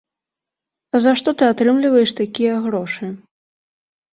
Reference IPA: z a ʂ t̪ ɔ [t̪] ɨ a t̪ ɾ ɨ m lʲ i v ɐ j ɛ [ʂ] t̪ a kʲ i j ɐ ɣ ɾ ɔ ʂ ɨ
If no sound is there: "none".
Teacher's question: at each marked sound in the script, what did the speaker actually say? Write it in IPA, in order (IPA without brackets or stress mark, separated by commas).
t̪, ʂ